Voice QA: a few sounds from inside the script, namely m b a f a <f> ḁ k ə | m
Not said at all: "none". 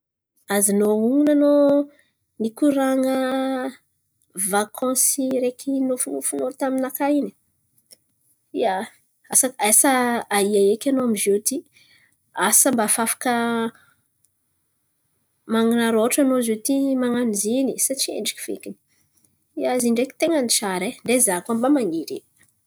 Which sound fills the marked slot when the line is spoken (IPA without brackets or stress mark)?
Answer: f